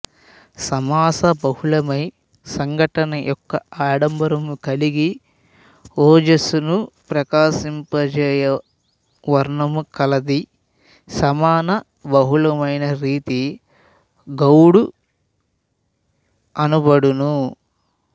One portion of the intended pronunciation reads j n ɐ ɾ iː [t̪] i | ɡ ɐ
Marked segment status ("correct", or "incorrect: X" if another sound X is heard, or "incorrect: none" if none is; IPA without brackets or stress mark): correct